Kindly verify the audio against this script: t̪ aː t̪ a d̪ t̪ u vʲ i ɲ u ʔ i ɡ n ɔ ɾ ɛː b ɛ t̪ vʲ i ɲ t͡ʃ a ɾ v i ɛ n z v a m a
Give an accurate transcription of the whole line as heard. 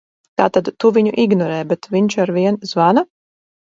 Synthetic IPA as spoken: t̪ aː t̪ a d̪ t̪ u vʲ i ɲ u ʔ i ɡ n ɔ ɾ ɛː b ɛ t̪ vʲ i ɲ t͡ʃ a ɾ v i ɛ n z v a n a